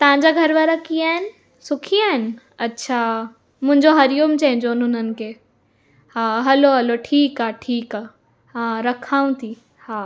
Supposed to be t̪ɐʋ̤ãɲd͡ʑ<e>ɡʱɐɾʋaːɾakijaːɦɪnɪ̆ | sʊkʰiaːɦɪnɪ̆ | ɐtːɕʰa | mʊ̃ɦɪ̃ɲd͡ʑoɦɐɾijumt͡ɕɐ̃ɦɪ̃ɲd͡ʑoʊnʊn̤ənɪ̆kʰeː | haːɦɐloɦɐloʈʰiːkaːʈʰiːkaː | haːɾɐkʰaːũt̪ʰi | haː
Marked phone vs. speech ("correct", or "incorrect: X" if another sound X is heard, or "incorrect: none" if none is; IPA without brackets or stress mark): incorrect: a